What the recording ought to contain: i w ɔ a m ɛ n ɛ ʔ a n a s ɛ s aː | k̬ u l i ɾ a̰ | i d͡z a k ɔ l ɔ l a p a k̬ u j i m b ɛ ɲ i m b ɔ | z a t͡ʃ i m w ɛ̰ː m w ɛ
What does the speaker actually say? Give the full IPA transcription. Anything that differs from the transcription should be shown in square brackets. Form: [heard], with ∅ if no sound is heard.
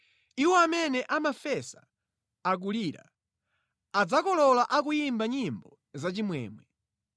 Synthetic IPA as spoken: i w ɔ a m ɛ n ɛ ʔ a [m] a [f] ɛ s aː | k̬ u l i ɾ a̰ | [a] d͡z a k ɔ l ɔ l a [ʔ] a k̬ u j i m b [a] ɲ i m b ɔ | z a t͡ʃ i m w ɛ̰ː m w ɛ